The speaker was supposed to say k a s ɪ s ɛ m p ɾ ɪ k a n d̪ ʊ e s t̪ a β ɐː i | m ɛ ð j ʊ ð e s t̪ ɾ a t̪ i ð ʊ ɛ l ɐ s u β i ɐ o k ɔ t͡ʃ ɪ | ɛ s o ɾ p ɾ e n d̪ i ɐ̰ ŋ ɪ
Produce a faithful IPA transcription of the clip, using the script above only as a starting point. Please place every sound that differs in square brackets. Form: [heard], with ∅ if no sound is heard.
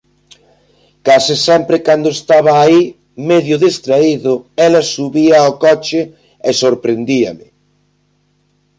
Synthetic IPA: k a s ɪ s ɛ m p ɾ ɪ k a n d̪ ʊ e s t̪ a β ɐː i | m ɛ ð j ʊ ð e s t̪ ɾ a [∅] i ð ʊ ɛ l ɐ s u β i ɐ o k ɔ t͡ʃ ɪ | ɛ s o ɾ p ɾ e n d̪ i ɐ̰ [m] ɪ